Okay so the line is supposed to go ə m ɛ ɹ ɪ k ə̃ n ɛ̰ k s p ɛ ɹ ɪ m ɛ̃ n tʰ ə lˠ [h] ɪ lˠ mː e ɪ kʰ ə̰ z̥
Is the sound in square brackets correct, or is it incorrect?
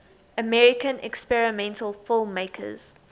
incorrect